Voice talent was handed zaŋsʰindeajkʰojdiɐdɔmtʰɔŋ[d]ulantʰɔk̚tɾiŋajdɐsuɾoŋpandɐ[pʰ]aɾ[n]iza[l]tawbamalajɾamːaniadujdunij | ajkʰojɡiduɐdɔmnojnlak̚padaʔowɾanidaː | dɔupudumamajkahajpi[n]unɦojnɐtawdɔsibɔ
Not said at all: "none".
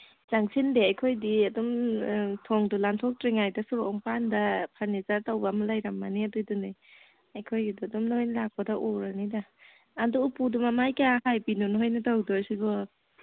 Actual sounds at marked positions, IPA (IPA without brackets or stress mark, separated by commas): d, pʰ, n, ɾ, n